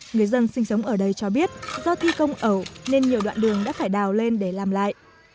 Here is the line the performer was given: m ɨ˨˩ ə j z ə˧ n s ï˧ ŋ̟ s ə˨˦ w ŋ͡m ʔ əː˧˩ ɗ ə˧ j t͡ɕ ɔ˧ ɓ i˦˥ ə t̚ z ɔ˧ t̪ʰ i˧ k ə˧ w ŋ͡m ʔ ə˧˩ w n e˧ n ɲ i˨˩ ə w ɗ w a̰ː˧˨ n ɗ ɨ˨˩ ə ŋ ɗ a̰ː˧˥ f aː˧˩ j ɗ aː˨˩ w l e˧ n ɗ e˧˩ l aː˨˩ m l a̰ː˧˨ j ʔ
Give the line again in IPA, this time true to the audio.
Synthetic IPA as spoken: ŋ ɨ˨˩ ə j z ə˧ n s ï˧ ŋ̟ s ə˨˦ w ŋ͡m ʔ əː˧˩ ɗ ə˧ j t͡ɕ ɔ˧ ɓ i˦˥ ə t̚ z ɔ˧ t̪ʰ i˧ k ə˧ w ŋ͡m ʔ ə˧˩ w n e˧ n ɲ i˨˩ ə w ɗ w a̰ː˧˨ n ɗ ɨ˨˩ ə ŋ ɗ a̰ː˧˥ f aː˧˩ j ɗ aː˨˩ w l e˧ n ɗ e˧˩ l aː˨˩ m l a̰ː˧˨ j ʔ